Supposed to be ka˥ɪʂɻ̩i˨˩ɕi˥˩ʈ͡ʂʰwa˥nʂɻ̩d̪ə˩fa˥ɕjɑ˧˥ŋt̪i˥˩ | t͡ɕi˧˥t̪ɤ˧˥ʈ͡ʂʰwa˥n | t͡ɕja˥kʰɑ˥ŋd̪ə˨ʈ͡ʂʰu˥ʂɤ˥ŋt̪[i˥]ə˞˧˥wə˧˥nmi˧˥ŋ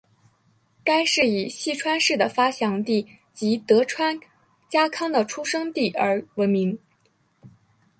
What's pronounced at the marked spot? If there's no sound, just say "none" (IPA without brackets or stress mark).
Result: i˥˩